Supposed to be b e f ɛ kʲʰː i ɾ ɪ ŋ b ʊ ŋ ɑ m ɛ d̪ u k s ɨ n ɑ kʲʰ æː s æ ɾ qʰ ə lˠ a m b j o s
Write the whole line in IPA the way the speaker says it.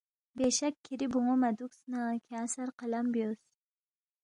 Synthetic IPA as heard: b e ʃ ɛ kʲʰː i ɾ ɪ b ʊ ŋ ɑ m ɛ d̪ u k s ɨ n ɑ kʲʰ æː s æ ɾ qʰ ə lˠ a m b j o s